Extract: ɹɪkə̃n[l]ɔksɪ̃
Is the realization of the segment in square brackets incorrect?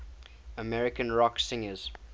yes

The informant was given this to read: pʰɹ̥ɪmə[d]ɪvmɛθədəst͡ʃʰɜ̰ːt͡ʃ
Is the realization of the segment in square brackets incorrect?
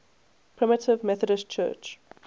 yes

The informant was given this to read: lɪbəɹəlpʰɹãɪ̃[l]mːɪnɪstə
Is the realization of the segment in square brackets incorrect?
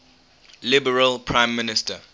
yes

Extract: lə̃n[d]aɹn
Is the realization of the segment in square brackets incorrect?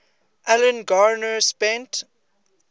yes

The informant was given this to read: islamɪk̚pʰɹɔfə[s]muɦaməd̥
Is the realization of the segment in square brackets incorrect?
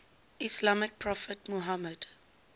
yes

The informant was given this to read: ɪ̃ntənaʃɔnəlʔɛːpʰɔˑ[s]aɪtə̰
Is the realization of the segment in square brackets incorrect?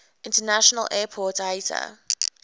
yes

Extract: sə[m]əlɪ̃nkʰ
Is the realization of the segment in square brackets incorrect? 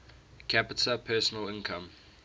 yes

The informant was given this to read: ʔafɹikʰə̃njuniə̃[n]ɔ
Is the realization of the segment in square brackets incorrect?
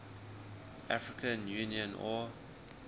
no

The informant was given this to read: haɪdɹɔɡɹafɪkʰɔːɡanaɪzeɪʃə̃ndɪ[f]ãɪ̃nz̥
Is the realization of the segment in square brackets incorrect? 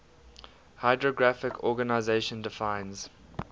no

